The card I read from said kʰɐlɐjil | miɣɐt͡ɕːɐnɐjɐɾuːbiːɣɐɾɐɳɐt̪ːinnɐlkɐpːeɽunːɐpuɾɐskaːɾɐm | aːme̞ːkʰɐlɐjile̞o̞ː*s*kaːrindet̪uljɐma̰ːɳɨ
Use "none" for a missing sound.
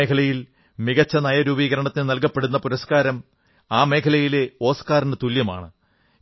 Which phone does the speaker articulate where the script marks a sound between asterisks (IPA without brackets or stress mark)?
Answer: s